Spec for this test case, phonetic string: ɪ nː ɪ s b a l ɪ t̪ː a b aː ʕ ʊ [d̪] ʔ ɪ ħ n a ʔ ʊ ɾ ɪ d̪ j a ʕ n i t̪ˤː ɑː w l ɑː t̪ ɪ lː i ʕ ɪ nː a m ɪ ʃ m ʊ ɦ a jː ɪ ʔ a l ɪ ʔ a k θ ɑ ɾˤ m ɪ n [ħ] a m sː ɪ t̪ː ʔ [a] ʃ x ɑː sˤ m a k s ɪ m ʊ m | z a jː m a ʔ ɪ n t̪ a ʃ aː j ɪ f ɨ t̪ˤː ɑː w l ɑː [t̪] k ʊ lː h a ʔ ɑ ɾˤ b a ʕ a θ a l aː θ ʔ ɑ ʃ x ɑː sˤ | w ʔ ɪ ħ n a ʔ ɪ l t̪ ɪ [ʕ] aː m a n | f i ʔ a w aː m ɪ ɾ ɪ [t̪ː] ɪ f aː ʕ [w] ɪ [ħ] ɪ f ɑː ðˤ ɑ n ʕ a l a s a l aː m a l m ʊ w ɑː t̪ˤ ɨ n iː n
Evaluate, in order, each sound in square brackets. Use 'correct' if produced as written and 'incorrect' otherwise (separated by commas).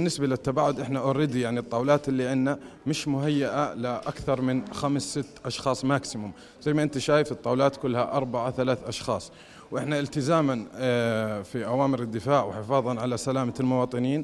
correct, incorrect, incorrect, correct, incorrect, incorrect, correct, correct